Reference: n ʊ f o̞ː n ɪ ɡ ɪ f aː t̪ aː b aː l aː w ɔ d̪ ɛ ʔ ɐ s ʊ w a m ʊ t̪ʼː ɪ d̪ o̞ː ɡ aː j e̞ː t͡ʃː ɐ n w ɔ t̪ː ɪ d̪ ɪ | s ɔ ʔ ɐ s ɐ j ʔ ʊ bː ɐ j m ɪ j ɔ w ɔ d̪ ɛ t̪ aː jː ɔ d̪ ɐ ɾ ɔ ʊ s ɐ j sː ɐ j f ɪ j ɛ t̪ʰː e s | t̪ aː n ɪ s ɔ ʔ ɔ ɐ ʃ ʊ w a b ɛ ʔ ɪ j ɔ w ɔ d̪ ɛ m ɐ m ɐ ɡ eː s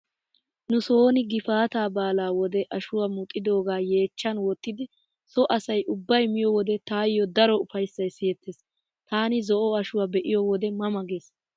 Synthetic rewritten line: n ʊ s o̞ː n ɪ ɡ ɪ f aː t̪ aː b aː l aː w ɔ d̪ ɛ ʔ ɐ ʃ ʊ w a m ʊ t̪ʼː ɪ d̪ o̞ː ɡ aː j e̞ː t͡ʃː ɐ n w ɔ t̪ː ɪ d̪ ɪ | s ɔ ʔ ɐ s ɐ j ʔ ʊ bː ɐ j m ɪ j ɔ w ɔ d̪ ɛ t̪ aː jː ɔ d̪ ɐ ɾ ɔ ʊ f ɐ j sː ɐ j s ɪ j ɛ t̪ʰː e s | t̪ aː n ɪ z ɔ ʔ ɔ ɐ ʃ ʊ w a b ɛ ʔ ɪ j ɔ w ɔ d̪ ɛ m ɐ m ɐ ɡ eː s